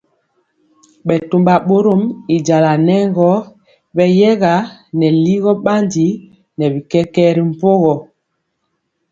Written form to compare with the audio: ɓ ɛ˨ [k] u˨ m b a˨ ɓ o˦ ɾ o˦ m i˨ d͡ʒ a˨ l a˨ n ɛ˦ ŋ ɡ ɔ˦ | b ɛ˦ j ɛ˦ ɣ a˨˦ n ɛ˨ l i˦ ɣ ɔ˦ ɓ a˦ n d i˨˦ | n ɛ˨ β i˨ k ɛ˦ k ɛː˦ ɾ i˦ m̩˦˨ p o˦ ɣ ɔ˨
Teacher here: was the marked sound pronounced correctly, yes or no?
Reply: no